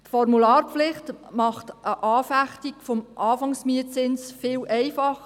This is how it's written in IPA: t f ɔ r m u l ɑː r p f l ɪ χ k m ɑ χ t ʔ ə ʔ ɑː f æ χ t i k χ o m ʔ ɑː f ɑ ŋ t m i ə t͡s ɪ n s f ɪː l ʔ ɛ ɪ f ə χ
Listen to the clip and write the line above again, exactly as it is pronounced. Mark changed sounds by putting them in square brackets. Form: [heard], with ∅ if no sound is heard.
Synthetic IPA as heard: t f ɔ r m u l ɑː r p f l ɪ χ [t] m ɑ χ t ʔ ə ʔ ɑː f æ χ t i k [f] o m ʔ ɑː f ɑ ŋ [s] m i ə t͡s ɪ n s f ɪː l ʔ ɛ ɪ f [ɑ] χ